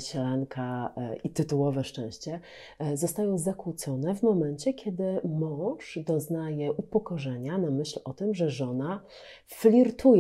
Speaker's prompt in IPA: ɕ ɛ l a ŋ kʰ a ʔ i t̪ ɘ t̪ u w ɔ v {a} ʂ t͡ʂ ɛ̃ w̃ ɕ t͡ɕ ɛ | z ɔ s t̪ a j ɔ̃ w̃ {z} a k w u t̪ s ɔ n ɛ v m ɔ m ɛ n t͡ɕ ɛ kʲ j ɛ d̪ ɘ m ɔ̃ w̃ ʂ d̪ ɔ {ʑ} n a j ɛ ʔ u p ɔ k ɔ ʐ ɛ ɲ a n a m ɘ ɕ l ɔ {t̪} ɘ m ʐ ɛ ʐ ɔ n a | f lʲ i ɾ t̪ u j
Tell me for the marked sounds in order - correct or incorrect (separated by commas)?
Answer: incorrect, correct, incorrect, correct